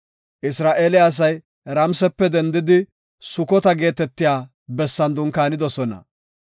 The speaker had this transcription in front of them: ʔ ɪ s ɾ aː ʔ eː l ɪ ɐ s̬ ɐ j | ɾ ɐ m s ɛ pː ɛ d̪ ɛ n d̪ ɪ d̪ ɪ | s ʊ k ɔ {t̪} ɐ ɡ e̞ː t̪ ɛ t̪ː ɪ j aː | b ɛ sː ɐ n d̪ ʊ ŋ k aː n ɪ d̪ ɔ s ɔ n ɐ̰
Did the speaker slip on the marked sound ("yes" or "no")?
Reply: no